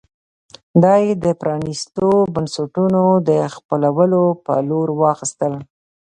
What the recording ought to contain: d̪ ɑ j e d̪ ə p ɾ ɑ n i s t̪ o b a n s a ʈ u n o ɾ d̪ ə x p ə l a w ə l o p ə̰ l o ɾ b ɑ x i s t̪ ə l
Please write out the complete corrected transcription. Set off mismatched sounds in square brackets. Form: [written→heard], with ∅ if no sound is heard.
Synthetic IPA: d̪ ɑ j e d̪ ə p ɾ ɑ n i s t̪ o b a n s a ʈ u n o [ɾ→∅] d̪ ə x p ə l a w ə l o p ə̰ l o ɾ [b→w] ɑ x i s t̪ ə l

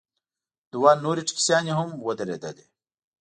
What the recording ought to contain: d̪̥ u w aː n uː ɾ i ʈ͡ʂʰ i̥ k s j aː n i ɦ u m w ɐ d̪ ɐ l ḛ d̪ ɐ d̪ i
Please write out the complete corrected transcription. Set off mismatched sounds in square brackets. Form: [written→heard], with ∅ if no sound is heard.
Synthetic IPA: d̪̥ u w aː n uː ɾ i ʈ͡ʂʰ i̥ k s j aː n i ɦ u m w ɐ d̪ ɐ [l→ɾ] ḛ d̪ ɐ d̪ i

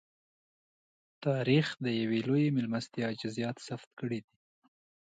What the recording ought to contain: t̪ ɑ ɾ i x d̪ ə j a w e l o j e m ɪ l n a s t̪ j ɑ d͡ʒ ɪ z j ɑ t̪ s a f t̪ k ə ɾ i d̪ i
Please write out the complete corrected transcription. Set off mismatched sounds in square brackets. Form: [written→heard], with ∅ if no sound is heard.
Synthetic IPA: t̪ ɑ ɾ i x d̪ ə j a w e l o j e m ɪ l [n→m] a s t̪ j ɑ d͡ʒ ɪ z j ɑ t̪ s a f t̪ k ə [ɾ→ɽ] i d̪ i

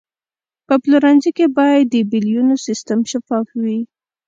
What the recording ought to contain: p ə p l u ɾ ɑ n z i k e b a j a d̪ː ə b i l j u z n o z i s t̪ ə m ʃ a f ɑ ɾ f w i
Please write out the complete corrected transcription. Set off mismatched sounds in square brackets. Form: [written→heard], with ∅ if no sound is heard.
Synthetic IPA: p ə p l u ɾ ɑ n z i k e b [a→ɑ] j a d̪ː ə b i l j u [z→∅] n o [z→s] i s t̪ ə m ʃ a f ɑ [ɾ→∅] f w i

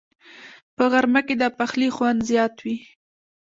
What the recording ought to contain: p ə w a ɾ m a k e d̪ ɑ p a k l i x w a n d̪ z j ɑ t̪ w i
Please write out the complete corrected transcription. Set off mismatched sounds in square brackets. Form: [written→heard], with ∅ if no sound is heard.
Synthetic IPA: p ə [w→ɣ] a ɾ m a k e d̪ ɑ p a [k→x] l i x w a n d̪ z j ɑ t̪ w i

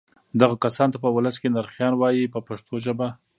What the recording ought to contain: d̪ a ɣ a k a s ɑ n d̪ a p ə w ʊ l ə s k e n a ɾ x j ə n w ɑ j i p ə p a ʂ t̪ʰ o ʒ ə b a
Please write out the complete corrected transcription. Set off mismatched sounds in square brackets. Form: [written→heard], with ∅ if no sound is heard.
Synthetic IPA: d̪ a ɣ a k a s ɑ n [d̪→t̪] a p ə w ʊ l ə s k e n a ɾ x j [ə→ɑ] n w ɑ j i p ə p a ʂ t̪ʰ o ʒ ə b a

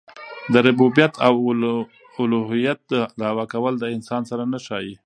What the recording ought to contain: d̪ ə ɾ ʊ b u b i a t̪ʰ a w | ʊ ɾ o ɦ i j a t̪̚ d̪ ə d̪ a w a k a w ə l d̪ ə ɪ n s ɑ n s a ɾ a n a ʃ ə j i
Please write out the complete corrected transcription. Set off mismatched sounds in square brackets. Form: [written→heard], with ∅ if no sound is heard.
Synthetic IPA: d̪ ə ɾ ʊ b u b [i→j] a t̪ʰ a w | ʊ [ɾ→l] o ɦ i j a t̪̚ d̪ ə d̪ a w a k a w ə l d̪ ə ɪ n s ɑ n s a ɾ a n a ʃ [ə→ɑ] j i

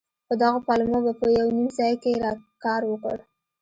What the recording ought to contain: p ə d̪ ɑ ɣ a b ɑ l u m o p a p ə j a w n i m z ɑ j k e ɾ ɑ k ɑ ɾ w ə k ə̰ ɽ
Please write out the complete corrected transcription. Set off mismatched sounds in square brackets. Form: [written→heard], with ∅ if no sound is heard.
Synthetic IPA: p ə d̪ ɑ ɣ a [b→p] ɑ l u m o [p→b] a p ə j a w n i m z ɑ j k e ɾ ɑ k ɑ ɾ w ə k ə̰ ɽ

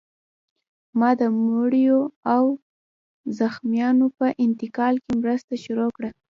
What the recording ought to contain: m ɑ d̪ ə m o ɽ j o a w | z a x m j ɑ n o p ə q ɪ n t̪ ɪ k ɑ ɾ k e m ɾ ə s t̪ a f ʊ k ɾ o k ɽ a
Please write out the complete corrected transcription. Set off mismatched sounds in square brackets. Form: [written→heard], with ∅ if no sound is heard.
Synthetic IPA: m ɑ d̪ ə m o ɽ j o a w | z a x m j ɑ n o p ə [q→ʔ] ɪ n t̪ ɪ k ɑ [ɾ→l] k e m ɾ ə s t̪ a [f→ʃ] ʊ [k→∅] ɾ o k ɽ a

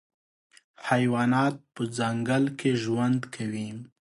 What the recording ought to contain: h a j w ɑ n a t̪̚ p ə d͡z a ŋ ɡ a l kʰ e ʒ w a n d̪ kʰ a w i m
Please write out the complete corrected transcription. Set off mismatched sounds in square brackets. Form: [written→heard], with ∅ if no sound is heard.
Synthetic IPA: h a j w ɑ n [a→ɑ] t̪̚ p ə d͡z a ŋ ɡ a l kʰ e ʒ w a n d̪ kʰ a w i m

